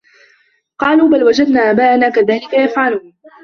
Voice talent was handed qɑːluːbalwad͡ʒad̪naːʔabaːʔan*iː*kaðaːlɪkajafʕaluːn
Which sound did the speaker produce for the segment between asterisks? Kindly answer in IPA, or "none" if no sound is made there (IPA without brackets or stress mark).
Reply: aː